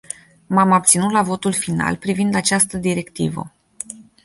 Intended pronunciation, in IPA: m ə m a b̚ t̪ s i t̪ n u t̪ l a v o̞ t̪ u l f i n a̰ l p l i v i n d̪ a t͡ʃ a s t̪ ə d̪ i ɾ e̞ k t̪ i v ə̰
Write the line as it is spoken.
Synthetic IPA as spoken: m a m a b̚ t̪ s i n u t̪ l a v o̞ t̪ u l f i n a̰ l p ɾ i v i n d̪ a t͡ʃ a s t̪ ə d̪ i ɾ e̞ k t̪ i v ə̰